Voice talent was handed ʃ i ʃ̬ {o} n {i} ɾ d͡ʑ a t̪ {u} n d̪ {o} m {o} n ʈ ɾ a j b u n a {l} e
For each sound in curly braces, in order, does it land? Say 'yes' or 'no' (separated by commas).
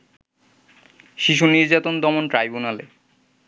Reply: no, yes, no, no, yes, yes